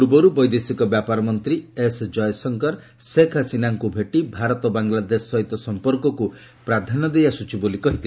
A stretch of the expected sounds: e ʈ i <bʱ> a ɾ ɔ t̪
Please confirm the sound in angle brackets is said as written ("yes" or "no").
yes